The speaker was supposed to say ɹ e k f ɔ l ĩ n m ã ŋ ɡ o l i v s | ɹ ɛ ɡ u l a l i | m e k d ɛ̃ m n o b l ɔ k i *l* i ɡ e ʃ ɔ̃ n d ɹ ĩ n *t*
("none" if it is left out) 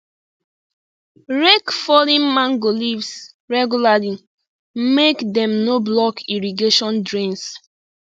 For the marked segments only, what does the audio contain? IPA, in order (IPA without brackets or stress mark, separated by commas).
ɹ, s